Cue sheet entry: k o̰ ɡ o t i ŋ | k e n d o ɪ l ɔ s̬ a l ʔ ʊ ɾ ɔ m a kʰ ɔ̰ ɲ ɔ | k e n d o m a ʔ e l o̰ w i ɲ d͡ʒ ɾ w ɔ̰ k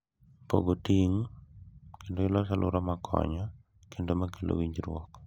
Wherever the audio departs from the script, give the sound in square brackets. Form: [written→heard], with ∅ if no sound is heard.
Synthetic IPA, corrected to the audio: [k→p] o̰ ɡ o t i ŋ | k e n d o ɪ l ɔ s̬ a l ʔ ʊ ɾ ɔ m a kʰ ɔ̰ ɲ ɔ | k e n d o m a [ʔ→k] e l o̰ w i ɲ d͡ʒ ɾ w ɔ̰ k